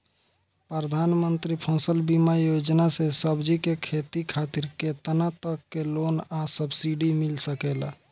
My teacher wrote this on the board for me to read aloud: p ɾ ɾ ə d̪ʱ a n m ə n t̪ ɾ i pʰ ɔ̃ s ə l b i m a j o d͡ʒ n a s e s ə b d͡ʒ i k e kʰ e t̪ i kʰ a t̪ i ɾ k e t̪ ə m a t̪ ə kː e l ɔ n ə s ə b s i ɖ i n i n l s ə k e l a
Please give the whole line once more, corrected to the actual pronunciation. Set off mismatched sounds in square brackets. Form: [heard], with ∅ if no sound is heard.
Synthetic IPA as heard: p ɾ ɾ ə d̪ʱ a n m ə n t̪ ɾ i pʰ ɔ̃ s ə l b i m a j o d͡ʒ n a s e s ə b d͡ʒ i k e kʰ e t̪ i kʰ a t̪ i ɾ k e t̪ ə [n] a t̪ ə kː e l [o] n [a] s ə b s i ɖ i [m] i [∅] l s ə k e l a